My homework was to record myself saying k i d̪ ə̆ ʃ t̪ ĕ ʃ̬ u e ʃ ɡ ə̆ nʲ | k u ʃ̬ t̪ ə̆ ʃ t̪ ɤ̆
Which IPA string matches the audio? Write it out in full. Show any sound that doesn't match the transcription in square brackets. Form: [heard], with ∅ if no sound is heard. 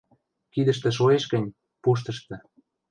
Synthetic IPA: k i d̪ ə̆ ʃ t̪ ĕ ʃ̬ [o] e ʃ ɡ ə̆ nʲ | [p] u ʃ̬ t̪ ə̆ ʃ t̪ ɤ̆